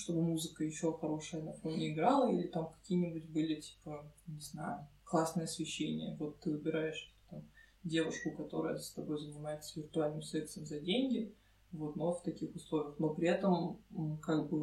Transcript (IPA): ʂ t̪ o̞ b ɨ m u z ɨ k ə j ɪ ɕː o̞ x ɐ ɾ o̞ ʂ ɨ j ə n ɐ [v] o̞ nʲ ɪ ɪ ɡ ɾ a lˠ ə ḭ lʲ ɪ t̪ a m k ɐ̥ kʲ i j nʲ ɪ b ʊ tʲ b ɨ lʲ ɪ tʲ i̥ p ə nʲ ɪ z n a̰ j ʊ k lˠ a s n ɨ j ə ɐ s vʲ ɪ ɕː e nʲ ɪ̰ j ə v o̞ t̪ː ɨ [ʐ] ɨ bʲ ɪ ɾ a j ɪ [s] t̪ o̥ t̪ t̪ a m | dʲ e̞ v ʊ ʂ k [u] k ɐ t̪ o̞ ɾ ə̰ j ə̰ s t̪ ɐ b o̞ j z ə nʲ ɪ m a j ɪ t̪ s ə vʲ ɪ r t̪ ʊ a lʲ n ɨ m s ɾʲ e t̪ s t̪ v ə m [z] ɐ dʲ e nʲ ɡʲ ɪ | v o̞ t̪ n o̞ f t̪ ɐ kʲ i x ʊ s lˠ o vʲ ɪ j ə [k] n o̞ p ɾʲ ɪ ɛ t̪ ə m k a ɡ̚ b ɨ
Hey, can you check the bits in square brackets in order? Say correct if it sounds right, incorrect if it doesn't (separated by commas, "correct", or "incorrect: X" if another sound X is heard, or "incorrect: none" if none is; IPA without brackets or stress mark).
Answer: incorrect: f, incorrect: v, incorrect: ʂ, incorrect: ʊ, correct, incorrect: x